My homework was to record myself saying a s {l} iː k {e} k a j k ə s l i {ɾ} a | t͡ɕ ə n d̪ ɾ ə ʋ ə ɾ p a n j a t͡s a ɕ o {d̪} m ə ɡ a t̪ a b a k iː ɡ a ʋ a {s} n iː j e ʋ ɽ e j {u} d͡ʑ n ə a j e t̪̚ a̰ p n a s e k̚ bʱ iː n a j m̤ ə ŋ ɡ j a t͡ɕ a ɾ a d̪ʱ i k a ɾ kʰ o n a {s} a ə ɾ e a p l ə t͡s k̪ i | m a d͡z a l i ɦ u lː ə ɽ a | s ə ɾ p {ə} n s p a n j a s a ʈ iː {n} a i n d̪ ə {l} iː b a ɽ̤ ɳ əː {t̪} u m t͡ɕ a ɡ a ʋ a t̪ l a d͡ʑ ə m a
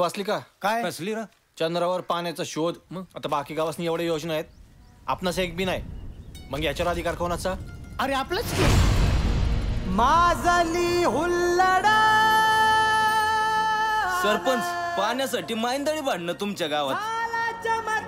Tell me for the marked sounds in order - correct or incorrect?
correct, incorrect: a, correct, correct, correct, incorrect: o, incorrect: t͡s, correct, incorrect: m, incorrect: ɽ, correct

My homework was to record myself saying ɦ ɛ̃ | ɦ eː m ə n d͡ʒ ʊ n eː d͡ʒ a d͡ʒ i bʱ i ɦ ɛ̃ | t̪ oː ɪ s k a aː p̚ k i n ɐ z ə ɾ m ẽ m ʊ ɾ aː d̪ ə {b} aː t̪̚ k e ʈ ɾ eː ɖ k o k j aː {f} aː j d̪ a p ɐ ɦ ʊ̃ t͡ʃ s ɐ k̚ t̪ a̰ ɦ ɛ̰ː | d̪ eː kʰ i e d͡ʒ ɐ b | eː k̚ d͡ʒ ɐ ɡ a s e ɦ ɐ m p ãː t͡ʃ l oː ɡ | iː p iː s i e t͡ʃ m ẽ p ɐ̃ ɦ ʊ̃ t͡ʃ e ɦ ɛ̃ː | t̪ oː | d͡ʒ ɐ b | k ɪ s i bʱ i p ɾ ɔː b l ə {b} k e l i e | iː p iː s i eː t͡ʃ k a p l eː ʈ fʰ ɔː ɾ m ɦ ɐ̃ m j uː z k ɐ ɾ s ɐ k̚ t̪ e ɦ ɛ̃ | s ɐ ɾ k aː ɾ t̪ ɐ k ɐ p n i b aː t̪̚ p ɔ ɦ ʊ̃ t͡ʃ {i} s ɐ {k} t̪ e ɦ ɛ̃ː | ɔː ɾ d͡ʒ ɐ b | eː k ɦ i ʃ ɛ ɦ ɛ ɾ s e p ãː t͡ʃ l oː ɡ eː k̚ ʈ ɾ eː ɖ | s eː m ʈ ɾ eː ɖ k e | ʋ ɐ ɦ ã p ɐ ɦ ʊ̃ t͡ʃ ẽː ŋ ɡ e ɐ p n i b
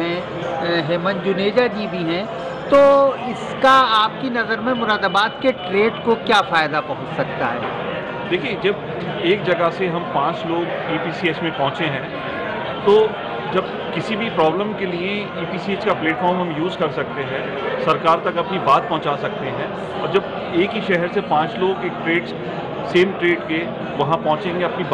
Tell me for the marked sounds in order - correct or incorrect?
correct, correct, incorrect: m, incorrect: a, correct

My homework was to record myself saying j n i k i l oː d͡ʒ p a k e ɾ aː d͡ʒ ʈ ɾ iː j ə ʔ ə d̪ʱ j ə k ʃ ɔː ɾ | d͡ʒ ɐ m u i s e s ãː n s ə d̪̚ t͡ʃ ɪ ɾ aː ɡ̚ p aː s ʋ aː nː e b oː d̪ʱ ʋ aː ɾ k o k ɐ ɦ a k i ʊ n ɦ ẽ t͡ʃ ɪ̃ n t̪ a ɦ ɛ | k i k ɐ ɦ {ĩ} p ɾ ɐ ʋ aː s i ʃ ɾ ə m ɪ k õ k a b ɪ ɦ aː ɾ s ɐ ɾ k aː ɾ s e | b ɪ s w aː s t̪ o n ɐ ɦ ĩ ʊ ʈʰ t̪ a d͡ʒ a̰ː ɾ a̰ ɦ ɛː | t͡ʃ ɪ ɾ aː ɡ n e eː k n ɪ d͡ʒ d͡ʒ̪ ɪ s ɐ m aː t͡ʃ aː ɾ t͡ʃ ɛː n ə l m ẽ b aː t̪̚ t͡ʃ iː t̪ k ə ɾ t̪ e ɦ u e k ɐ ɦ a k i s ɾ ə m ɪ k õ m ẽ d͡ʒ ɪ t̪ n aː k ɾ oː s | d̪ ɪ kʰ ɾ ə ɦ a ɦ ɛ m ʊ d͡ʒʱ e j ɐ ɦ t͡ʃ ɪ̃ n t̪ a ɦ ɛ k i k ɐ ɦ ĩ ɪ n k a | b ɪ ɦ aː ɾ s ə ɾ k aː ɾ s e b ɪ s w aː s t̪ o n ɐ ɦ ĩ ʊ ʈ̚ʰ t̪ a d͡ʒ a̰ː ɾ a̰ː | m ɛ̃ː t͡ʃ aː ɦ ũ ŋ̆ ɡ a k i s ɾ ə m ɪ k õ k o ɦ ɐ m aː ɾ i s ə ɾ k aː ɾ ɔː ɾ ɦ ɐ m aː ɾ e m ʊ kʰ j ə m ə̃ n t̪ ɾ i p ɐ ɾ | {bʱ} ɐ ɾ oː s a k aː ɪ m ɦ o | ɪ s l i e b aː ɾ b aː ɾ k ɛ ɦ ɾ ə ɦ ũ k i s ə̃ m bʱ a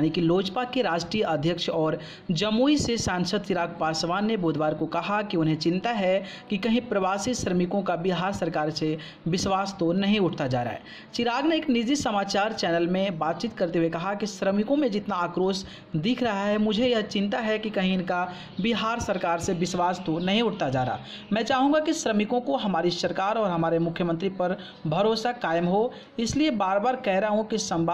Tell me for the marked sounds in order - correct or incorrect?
correct, correct

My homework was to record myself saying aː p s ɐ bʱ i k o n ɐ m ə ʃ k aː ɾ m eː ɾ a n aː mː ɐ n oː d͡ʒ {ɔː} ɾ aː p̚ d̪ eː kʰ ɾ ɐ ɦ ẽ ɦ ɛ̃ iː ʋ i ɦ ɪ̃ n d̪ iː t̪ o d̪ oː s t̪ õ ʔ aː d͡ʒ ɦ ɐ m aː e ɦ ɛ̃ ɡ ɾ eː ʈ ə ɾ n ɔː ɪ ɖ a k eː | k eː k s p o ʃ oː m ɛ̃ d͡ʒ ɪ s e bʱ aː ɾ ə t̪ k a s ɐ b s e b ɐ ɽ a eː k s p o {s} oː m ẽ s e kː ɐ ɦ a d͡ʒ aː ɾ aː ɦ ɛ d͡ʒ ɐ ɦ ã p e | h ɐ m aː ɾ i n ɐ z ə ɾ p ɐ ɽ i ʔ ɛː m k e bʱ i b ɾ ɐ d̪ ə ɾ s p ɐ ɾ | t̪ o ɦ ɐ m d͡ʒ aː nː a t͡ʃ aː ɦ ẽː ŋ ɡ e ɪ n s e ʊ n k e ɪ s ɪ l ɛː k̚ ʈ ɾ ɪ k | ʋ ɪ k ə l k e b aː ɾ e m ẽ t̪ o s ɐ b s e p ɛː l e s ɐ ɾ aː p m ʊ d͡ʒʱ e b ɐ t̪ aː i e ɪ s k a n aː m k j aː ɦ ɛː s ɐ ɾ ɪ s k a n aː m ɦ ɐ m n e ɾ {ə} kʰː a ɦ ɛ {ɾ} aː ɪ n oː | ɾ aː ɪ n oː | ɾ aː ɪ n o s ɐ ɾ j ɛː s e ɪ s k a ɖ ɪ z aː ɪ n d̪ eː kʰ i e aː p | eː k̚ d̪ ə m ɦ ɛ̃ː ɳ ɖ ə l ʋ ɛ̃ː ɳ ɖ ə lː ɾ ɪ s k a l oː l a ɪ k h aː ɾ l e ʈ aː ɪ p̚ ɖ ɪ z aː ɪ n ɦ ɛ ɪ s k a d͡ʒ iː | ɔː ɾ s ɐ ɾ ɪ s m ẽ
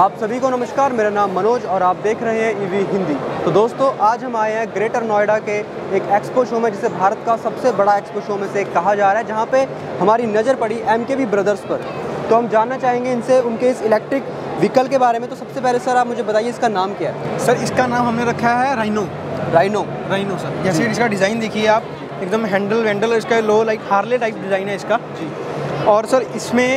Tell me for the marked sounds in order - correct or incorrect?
correct, incorrect: ʃ, incorrect: ɐ, correct

